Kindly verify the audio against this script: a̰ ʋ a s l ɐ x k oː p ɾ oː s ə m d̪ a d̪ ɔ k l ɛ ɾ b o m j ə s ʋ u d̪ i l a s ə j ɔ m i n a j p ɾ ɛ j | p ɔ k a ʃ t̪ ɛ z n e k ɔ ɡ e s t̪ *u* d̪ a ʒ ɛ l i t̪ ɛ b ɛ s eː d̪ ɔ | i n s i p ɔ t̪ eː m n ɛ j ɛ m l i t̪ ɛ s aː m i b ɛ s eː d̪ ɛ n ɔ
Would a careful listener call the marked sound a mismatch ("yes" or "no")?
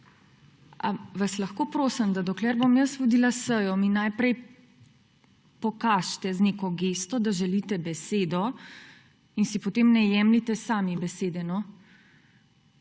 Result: yes